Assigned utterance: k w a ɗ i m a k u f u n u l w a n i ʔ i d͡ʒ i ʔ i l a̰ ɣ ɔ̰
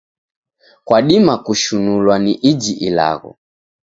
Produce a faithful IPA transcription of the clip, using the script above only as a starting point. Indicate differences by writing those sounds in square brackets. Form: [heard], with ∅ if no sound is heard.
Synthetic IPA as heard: k w a ɗ i m a k u [ʃ] u n u l w a n i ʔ i d͡ʒ i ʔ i l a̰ ɣ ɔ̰